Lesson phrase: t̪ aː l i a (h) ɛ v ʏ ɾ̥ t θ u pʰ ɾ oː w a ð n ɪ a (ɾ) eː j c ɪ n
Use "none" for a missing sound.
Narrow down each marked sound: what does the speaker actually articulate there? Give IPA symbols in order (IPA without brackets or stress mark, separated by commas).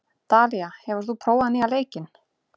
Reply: h, l